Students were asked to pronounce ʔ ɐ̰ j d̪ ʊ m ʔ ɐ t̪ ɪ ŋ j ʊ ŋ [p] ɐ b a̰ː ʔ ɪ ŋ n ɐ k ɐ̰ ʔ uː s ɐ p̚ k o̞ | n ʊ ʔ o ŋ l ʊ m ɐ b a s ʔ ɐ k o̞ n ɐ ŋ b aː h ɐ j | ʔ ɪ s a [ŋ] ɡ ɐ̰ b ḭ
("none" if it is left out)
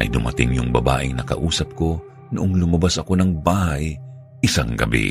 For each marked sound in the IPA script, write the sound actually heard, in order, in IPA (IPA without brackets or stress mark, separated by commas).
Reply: b, ŋ